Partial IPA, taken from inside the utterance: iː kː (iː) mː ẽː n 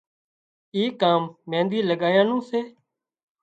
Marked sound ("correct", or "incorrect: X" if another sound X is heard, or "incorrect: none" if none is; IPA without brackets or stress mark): incorrect: aː